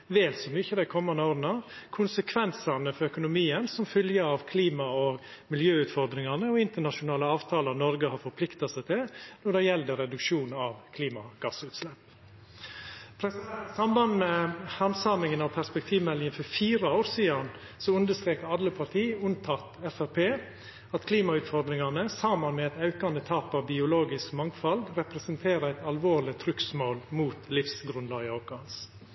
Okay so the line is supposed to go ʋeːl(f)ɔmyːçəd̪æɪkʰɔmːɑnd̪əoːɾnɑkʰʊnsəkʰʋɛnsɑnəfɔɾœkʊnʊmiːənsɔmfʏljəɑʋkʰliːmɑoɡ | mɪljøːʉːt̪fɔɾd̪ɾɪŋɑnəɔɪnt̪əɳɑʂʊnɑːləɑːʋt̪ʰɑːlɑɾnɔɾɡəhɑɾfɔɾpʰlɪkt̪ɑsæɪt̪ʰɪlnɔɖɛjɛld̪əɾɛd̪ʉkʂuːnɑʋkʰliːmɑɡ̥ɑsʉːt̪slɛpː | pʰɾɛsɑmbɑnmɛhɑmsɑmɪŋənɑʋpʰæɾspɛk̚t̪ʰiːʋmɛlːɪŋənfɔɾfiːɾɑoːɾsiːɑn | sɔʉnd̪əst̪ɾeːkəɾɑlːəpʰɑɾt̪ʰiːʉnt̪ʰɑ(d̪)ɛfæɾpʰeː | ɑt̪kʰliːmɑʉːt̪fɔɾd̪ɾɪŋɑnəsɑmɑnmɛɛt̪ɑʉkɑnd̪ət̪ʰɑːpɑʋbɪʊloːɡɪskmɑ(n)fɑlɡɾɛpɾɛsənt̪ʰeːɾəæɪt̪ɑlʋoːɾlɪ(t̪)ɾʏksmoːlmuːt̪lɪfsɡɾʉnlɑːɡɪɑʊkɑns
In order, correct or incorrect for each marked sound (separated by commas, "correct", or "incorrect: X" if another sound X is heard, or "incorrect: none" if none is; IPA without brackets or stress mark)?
incorrect: s, incorrect: t̪, incorrect: ŋ, incorrect: t̪ʰ